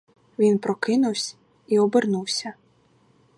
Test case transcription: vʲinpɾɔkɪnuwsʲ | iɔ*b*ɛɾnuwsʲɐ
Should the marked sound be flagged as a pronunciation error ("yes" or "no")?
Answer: no